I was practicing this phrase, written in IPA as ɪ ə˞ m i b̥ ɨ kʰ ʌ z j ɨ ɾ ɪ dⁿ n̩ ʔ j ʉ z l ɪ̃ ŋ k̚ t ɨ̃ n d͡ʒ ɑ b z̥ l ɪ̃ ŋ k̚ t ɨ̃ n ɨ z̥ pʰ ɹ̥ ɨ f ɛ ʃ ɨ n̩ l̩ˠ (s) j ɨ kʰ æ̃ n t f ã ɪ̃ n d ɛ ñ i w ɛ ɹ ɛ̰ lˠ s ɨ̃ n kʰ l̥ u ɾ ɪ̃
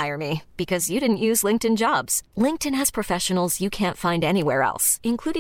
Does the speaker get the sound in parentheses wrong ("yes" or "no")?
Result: yes